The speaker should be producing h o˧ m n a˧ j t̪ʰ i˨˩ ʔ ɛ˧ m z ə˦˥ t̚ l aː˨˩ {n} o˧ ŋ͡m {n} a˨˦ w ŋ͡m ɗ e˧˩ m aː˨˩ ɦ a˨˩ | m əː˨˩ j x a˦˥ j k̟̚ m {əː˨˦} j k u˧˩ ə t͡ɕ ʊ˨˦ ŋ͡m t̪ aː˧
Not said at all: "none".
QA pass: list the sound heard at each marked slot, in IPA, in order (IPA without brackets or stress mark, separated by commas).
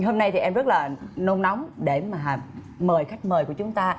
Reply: n, n, əː˨˩